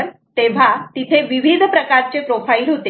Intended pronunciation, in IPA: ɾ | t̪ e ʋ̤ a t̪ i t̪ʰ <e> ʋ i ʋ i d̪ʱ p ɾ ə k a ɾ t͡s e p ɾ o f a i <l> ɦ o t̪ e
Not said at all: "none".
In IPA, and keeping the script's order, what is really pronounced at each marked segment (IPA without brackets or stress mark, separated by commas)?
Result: e, l